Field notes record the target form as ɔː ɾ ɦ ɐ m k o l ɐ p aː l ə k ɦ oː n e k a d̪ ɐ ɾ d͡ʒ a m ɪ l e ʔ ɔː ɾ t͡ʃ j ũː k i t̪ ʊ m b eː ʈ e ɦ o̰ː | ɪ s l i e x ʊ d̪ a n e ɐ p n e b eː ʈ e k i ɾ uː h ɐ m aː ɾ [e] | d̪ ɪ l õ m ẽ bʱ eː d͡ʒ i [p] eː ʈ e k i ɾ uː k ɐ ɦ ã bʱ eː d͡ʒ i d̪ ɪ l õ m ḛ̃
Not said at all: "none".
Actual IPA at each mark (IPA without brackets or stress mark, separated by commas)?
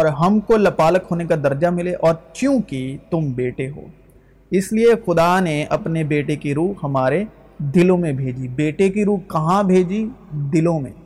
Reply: e, b